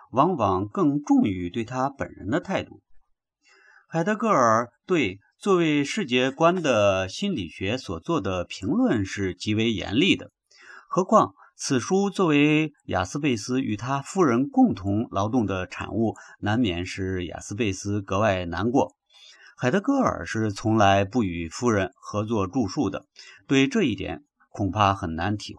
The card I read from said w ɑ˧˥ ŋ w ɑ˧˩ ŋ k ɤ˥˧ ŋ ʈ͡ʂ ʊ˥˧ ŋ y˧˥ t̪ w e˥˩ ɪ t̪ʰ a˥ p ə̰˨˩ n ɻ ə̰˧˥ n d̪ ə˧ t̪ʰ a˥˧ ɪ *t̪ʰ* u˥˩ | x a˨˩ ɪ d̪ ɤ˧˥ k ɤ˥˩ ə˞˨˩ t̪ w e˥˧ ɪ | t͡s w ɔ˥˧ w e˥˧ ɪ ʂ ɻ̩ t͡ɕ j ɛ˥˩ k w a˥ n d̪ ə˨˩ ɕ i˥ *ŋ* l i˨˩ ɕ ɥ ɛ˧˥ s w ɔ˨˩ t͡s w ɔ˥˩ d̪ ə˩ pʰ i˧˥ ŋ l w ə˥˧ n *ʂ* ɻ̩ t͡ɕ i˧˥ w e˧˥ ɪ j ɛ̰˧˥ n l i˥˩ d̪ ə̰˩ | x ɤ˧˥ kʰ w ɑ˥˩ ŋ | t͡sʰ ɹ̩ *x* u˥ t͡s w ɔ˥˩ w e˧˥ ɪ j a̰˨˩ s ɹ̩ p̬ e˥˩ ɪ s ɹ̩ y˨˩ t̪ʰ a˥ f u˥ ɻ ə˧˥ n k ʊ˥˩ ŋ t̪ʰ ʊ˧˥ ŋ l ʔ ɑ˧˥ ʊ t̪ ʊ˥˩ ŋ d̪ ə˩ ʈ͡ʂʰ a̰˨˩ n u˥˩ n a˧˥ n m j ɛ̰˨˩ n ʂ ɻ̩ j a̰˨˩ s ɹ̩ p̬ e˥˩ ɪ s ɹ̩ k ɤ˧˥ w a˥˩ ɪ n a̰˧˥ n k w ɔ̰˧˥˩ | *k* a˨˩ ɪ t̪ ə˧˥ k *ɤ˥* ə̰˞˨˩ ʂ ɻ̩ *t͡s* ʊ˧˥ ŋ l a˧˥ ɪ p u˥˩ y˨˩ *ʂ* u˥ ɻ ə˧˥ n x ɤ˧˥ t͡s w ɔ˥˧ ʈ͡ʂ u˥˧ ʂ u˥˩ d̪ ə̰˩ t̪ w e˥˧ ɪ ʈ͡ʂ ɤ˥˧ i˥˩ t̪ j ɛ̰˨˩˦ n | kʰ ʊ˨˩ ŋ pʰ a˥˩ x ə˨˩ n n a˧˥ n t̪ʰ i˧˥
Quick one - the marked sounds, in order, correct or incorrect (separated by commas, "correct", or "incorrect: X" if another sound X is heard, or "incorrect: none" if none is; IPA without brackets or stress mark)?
incorrect: t̪, incorrect: n, correct, incorrect: ʂ, incorrect: x, correct, incorrect: t͡sʰ, incorrect: f